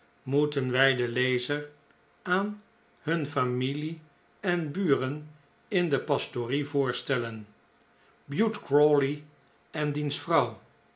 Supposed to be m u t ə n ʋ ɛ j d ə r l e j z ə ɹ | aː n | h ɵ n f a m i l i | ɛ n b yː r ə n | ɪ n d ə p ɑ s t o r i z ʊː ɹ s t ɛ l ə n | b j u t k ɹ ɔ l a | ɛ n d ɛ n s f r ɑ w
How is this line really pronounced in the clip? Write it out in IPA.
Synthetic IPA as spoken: m u t ə n ʋ ɛ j d ə l e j z ə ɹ | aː n | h ɵ n f a m i l i | ɛ n b yː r ə n | ɪ n d ə p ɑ s t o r i v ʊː ɹ s t ɛ l ə n | b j u t k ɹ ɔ l i | ɛ n d i n s f r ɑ w